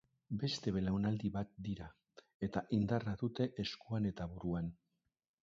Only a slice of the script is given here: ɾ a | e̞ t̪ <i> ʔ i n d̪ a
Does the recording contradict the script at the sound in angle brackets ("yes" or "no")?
yes